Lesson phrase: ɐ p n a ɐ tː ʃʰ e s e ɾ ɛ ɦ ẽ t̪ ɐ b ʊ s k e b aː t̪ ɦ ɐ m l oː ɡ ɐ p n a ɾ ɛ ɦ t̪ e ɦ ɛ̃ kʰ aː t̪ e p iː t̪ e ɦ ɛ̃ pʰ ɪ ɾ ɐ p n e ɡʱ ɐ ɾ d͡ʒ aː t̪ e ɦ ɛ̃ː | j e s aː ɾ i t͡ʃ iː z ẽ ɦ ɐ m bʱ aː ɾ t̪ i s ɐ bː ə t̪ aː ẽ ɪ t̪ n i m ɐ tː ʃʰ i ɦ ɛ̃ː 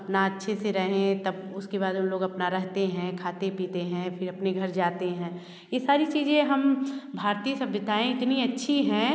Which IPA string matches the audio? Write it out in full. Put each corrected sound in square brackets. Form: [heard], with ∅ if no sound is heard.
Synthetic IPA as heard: ɐ p n a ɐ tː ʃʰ e s e ɾ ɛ ɦ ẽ t̪ ɐ b ʊ s k e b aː [d̪] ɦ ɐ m l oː ɡ ɐ p n a ɾ ɛ ɦ t̪ e ɦ ɛ̃ kʰ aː t̪ e p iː t̪ e ɦ ɛ̃ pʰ ɪ ɾ ɐ p n e ɡʱ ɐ ɾ d͡ʒ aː t̪ e ɦ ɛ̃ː | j e s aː ɾ i t͡ʃ iː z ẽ ɦ ɐ m bʱ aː ɾ t̪ i s ɐ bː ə t̪ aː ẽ ɪ t̪ n i [∅] ɐ tː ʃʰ i ɦ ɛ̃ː